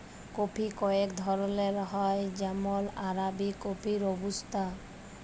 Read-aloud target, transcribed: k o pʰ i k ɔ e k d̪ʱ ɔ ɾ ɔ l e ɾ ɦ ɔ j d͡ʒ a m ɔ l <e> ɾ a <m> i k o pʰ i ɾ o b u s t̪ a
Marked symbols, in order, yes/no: no, no

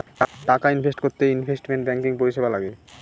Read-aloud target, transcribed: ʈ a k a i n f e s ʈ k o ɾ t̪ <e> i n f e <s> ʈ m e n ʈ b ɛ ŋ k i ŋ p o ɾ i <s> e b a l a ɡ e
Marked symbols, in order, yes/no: yes, yes, no

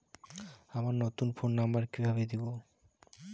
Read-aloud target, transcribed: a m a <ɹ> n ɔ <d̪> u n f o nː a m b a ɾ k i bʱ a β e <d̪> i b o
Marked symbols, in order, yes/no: no, no, yes

